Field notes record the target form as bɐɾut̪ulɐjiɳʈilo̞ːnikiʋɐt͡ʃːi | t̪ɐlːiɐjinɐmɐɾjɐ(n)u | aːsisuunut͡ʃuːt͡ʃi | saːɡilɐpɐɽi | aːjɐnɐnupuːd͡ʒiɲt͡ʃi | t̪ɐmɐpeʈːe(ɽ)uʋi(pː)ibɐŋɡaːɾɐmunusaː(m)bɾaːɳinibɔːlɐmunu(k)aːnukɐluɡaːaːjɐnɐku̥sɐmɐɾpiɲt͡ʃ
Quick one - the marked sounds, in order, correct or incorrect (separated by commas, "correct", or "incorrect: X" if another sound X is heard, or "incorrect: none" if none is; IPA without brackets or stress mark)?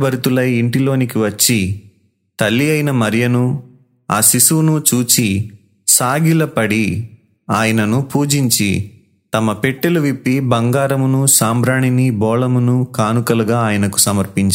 correct, incorrect: l, correct, correct, correct